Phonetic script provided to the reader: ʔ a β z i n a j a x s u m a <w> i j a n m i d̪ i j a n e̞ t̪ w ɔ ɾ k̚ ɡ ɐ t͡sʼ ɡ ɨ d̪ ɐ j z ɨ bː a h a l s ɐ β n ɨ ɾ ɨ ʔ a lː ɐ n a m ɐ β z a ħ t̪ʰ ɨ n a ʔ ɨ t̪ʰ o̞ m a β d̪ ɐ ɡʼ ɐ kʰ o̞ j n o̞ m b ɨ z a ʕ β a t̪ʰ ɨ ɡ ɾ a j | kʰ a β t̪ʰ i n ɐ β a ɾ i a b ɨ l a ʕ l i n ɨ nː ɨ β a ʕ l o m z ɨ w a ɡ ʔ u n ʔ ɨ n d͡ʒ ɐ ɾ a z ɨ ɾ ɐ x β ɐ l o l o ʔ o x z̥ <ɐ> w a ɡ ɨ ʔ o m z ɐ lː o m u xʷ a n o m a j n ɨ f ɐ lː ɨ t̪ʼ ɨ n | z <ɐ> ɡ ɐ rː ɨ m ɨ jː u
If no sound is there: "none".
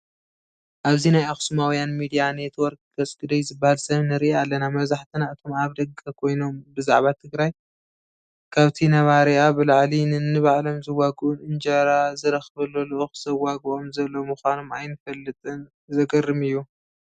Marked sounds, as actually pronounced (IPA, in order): w, ɐ, ɐ

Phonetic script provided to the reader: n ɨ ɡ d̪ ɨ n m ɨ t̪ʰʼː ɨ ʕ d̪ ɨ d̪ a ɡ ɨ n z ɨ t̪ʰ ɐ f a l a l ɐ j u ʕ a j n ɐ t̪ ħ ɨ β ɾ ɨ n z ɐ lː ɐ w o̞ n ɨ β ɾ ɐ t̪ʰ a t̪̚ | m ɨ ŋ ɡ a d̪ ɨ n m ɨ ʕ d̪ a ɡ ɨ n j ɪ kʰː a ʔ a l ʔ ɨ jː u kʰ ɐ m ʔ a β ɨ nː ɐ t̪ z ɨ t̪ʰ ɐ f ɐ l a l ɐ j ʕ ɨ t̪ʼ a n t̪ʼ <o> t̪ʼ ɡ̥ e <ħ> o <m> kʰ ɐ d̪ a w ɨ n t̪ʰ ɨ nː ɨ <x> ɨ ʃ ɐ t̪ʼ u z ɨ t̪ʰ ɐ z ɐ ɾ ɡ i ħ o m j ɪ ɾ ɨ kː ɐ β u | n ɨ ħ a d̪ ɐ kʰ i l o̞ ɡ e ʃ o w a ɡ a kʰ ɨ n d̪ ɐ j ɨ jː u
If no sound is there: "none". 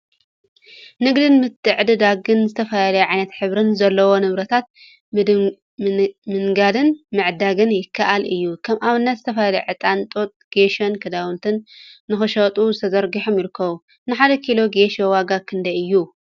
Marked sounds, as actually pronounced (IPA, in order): o, ʃ, n, x

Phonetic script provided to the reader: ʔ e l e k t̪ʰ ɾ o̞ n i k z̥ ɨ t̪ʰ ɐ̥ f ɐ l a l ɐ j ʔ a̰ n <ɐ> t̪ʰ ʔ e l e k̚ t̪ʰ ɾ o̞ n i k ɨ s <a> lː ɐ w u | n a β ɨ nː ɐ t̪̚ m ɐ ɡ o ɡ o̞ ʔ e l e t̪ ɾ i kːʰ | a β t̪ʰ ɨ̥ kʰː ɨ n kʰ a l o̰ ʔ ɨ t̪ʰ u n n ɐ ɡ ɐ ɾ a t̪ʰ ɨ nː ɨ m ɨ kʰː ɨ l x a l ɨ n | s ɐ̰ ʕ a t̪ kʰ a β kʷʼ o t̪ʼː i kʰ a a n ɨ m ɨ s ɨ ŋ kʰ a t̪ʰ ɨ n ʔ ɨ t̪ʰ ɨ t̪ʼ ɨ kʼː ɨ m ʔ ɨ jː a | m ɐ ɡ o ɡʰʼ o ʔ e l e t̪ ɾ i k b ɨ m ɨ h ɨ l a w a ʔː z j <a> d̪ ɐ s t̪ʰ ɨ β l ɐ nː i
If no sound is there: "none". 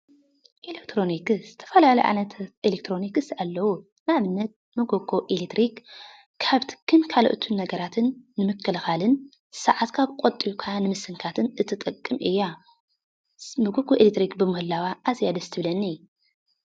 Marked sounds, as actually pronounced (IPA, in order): ɐ, a, a

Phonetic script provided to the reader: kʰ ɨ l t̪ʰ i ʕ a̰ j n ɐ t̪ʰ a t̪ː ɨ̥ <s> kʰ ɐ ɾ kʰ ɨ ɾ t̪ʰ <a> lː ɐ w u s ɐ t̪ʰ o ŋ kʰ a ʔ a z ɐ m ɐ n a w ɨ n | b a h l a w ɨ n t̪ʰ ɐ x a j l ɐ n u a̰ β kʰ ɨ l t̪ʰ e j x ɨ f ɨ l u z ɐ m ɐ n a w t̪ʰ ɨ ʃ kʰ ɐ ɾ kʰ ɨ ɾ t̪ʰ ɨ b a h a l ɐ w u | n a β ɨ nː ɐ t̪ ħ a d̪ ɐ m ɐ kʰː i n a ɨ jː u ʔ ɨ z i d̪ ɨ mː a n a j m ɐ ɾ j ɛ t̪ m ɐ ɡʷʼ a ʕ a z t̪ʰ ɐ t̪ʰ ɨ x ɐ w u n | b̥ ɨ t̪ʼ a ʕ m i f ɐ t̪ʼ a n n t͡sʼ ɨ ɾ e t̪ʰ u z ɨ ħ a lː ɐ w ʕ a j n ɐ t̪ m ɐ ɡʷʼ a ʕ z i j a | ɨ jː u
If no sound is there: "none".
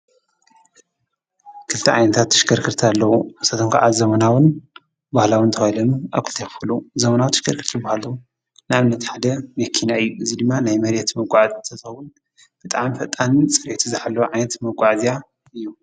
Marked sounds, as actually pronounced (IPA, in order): ʃ, a

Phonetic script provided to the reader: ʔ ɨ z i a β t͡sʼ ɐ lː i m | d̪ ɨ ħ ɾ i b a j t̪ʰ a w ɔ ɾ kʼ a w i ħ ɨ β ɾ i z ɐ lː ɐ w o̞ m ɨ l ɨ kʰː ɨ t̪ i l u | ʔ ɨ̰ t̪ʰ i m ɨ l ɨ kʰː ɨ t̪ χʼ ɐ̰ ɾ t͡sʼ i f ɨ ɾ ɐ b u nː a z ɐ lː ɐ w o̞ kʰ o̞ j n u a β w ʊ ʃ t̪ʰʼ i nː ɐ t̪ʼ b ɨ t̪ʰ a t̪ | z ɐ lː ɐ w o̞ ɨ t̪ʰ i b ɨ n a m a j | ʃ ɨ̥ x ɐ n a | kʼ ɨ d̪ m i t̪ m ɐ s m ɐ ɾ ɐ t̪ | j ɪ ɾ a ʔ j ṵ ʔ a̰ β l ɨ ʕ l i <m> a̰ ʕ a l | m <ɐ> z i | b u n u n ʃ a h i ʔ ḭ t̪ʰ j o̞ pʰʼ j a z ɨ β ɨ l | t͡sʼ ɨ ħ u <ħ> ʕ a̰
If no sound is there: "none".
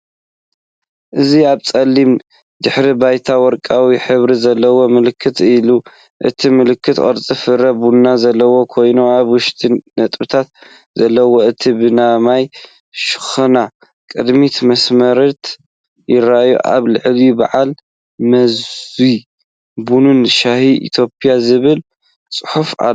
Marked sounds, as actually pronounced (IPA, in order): b, ɐ, f

